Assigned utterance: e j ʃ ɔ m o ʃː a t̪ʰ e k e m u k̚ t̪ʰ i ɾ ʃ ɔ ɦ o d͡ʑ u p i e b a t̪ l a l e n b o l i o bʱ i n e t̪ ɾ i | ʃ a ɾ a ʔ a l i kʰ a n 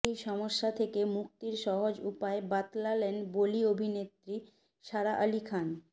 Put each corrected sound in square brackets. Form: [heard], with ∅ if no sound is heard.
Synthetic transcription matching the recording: e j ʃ ɔ m o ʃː a t̪ʰ e k e m u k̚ [t̪] i ɾ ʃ ɔ ɦ o d͡ʑ u p [a] e b a t̪ l a l e n b o l i o bʱ i n e t̪ ɾ i | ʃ a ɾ a ʔ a l i kʰ a n